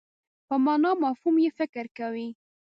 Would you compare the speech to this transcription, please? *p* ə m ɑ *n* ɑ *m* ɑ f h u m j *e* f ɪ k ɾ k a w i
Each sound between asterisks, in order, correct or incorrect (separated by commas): correct, correct, correct, correct